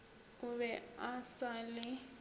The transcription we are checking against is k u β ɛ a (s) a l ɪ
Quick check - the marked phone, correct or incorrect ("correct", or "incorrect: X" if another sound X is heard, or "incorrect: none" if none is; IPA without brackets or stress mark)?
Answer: correct